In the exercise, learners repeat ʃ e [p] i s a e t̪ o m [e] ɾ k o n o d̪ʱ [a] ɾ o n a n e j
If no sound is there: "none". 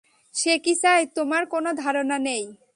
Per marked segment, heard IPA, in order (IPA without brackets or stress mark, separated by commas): k, a, a